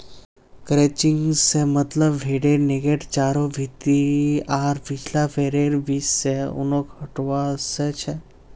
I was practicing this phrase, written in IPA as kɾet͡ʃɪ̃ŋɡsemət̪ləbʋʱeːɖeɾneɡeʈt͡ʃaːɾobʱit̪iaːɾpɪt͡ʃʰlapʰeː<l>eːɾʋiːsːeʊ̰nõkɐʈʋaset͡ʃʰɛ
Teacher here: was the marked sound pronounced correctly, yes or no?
no